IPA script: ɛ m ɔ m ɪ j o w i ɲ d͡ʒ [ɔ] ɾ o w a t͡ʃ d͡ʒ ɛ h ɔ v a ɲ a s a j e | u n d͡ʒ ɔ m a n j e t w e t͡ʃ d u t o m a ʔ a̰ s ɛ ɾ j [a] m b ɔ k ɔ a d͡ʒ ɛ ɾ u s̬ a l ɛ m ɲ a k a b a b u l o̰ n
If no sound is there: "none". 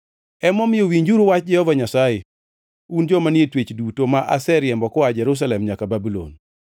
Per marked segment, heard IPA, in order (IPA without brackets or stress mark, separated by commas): u, ɛ